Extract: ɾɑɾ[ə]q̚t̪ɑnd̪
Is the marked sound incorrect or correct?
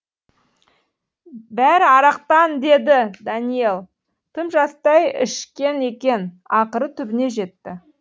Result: incorrect